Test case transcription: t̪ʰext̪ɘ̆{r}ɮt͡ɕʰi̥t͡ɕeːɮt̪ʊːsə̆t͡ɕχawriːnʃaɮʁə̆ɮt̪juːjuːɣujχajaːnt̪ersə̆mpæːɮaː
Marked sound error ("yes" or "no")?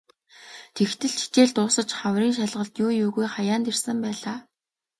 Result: yes